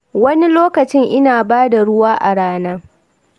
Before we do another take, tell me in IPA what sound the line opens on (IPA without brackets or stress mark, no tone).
w